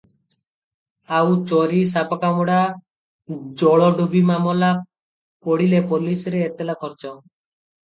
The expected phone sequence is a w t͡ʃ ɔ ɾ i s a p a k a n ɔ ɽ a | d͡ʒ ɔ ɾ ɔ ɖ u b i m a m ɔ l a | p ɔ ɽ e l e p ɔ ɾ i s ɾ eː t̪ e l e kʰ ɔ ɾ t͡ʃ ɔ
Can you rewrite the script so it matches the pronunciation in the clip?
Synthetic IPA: a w t͡ʃ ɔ ɾ i s a p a k a m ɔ ɽ a | d͡ʒ ɔ ɭ ɔ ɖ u b i m a m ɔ l a | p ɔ ɽ i l e p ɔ l i s ɾ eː t̪ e l a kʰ ɔ ɾ t͡ʃ ɔ